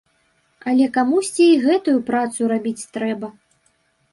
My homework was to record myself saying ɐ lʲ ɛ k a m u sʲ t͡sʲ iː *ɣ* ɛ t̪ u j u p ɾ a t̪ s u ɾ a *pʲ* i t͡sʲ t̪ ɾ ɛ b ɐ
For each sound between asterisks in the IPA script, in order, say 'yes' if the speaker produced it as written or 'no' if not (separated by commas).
yes, no